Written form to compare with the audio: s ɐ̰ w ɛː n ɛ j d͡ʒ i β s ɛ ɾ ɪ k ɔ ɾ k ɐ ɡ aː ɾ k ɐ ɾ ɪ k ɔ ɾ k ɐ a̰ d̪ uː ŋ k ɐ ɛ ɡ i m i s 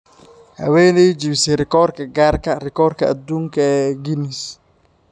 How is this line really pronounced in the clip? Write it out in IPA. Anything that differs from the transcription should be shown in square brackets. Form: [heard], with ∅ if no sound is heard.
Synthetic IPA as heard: [h] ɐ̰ w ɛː n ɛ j d͡ʒ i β s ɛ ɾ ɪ k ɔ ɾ k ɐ ɡ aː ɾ k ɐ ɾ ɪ k ɔ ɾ k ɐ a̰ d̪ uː ŋ k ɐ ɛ ɡ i [n] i s